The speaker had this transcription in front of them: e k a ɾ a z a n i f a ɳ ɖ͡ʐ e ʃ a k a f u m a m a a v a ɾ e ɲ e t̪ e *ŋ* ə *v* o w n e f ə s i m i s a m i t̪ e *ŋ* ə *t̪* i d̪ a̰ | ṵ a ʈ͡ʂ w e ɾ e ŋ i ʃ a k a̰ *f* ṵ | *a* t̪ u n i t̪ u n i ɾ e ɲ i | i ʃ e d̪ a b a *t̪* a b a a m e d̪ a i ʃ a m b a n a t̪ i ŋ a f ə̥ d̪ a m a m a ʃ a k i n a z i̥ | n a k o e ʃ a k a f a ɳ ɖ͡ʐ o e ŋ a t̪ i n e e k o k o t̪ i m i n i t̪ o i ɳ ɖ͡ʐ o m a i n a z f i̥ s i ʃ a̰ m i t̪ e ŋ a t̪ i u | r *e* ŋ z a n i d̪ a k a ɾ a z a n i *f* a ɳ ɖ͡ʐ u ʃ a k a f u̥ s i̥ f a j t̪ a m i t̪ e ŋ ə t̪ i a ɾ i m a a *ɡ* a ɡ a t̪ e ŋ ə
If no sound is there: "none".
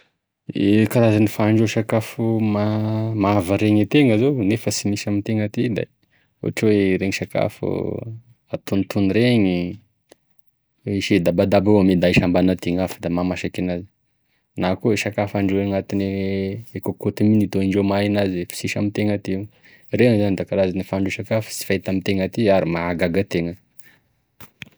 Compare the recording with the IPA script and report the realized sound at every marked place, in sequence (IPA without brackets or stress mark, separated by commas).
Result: ŋ, z, ŋ, t̪, f, a, d̪, e, f, ɡ